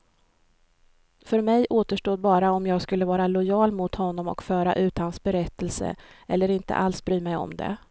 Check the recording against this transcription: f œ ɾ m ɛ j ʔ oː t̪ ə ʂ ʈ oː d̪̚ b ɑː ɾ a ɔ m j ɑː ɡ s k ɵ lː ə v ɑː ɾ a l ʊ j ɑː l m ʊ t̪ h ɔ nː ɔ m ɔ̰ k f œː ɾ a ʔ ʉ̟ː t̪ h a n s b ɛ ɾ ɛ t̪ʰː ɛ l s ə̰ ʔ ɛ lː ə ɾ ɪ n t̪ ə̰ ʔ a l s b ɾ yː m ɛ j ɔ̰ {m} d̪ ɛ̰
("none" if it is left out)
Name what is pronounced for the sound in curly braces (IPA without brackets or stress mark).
m